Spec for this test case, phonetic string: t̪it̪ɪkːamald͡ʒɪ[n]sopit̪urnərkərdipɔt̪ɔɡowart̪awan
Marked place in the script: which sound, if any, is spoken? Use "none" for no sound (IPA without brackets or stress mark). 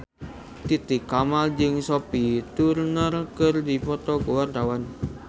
ŋ